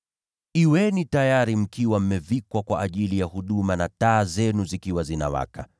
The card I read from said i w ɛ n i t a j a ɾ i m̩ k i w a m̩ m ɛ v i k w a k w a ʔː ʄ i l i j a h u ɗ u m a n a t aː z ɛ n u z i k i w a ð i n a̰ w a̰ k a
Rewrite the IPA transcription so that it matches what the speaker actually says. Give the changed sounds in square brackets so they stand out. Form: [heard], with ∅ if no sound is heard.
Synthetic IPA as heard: i w ɛ n i t a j a ɾ i m̩ k i w a m̩ m ɛ v i k w a k w a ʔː ʄ i l i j a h u ɗ u m a n a t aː z ɛ n u z i k i w a [z] i n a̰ w a̰ k a